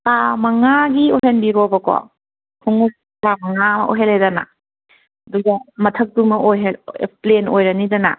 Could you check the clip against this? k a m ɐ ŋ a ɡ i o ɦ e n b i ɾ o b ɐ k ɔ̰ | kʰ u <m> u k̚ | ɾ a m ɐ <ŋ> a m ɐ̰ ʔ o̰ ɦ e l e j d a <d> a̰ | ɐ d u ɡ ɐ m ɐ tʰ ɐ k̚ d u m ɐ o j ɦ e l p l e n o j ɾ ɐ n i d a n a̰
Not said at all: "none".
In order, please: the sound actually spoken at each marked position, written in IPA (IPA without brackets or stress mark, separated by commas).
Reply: ŋ, ŋ, n